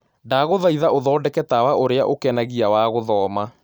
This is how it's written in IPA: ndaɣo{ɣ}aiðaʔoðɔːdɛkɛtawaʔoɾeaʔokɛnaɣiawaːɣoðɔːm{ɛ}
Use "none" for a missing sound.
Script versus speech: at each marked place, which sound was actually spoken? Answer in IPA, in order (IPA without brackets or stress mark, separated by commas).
ð, a